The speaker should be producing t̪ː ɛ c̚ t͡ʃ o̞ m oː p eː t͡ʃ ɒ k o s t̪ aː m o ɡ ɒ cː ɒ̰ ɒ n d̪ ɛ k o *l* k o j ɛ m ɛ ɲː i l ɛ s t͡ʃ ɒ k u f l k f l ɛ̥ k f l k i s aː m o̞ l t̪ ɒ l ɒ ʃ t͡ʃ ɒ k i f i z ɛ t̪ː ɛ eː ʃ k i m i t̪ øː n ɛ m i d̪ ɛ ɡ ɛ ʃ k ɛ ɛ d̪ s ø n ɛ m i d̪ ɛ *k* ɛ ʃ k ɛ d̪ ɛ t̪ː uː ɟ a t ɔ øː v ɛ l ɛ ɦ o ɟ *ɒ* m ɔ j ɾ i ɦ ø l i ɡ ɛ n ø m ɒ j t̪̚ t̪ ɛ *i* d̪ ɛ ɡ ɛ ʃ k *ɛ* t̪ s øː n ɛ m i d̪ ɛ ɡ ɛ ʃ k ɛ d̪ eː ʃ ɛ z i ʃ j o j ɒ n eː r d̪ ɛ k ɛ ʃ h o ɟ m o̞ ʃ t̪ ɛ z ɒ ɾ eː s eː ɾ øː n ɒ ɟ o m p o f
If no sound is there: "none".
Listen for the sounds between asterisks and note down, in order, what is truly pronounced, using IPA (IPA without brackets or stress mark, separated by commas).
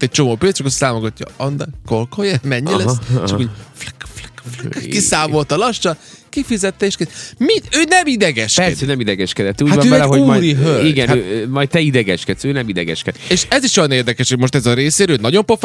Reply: l, ɡ, u, i, ɛ